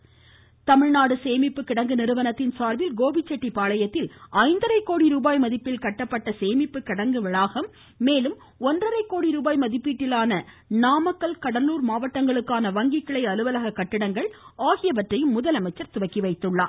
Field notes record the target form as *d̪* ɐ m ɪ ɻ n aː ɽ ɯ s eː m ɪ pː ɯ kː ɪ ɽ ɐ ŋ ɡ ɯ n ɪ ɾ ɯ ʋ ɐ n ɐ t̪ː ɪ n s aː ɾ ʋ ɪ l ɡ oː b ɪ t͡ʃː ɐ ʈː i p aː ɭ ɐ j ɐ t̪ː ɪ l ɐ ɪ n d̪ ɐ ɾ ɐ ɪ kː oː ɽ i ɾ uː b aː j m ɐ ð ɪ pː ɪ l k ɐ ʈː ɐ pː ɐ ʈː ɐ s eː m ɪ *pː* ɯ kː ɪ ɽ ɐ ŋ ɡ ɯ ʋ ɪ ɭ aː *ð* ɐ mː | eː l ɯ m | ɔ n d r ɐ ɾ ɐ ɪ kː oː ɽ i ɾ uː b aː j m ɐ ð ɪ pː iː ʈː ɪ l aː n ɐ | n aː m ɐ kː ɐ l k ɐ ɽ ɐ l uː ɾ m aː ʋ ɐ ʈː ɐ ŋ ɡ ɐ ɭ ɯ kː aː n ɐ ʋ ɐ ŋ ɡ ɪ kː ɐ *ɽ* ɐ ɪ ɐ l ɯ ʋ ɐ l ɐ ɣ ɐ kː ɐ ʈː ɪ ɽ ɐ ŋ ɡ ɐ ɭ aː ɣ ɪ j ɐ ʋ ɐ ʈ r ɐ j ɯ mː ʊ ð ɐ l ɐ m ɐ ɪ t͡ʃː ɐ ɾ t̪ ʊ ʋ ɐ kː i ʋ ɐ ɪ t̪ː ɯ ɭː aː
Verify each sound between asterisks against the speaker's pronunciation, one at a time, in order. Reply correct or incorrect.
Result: incorrect, correct, incorrect, incorrect

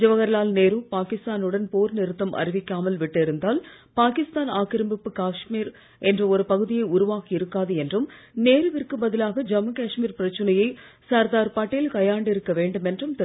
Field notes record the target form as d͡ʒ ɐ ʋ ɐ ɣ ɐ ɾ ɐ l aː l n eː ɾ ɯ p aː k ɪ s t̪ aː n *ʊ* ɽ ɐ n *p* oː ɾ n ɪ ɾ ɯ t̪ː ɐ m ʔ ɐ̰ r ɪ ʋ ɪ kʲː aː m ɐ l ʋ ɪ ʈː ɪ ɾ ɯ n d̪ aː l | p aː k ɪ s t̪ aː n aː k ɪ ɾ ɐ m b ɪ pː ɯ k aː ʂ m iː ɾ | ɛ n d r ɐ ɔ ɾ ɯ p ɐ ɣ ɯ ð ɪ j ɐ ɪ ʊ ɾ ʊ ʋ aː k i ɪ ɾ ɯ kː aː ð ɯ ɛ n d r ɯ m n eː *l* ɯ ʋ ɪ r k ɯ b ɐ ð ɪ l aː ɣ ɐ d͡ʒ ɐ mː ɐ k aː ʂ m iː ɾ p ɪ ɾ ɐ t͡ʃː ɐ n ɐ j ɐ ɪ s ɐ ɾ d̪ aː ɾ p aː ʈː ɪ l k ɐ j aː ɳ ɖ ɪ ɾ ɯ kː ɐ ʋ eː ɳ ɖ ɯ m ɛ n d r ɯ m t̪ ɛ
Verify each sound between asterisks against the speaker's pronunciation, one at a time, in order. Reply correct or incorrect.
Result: incorrect, correct, incorrect

